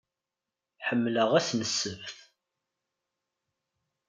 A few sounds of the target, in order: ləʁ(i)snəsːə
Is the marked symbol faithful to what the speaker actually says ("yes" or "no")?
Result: no